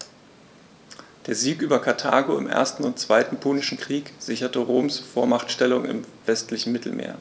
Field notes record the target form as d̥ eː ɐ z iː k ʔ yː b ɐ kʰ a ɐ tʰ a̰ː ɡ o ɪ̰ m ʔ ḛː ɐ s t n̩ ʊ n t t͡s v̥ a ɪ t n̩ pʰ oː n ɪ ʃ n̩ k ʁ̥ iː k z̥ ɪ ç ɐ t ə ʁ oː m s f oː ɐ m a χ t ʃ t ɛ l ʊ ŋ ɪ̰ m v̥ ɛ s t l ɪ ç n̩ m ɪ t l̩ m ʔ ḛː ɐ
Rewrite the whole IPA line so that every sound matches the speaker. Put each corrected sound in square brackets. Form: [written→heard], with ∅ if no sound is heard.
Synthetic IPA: d̥ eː ɐ z iː k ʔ yː b ɐ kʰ a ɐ tʰ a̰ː ɡ o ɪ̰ m ʔ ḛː ɐ s t n̩ ʊ n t t͡s v̥ a ɪ t n̩ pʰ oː n ɪ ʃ n̩ k ʁ̥ iː k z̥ ɪ ç ɐ t ə ʁ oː m s f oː ɐ m a χ t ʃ t ɛ l ʊ ŋ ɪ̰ m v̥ ɛ s t l ɪ ç n̩ m ɪ t l̩ m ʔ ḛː ɐ